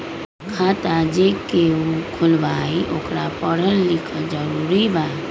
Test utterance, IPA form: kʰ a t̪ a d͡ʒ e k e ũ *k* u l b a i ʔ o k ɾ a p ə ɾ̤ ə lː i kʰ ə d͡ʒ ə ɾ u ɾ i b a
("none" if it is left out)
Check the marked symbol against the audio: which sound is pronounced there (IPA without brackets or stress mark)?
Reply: kʰ